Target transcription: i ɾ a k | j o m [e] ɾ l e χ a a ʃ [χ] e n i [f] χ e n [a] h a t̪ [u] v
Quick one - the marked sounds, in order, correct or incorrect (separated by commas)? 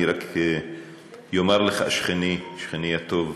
incorrect, correct, incorrect, incorrect, incorrect